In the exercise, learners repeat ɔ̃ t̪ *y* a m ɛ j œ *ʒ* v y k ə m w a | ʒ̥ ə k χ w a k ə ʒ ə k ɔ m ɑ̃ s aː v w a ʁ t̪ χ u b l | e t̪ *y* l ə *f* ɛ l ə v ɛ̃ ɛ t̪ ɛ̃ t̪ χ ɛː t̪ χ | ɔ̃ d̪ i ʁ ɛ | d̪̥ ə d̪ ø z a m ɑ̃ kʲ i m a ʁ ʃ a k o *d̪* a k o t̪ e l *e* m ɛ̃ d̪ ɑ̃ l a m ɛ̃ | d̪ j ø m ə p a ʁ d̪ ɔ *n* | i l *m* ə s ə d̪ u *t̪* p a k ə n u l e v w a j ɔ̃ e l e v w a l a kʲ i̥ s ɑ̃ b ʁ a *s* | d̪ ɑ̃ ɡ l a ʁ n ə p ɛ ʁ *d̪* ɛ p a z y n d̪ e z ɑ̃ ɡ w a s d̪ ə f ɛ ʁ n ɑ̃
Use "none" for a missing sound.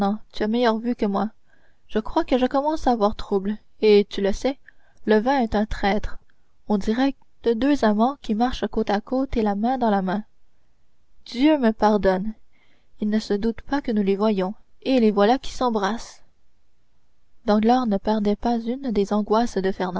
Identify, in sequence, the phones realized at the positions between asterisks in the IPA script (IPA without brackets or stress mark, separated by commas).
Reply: y, ʁ, y, s, t̪, a, n, n, t̪, s, d̪